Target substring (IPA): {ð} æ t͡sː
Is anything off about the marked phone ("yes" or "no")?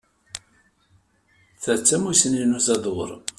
yes